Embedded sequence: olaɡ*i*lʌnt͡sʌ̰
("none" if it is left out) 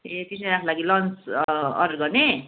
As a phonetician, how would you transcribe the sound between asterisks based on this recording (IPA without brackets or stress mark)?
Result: i